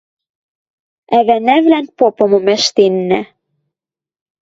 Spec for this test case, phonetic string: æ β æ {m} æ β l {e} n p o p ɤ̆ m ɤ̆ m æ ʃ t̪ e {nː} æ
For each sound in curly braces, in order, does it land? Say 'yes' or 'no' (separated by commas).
no, no, yes